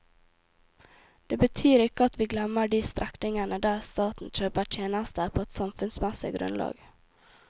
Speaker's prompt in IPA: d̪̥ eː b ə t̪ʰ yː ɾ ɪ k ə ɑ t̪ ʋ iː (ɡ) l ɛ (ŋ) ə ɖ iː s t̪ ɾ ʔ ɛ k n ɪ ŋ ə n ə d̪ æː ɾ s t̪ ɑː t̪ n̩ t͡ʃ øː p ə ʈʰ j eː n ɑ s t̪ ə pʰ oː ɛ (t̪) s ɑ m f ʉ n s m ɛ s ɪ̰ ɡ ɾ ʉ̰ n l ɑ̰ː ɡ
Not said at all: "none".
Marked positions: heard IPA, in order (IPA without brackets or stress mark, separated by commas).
ɡ, m, t̪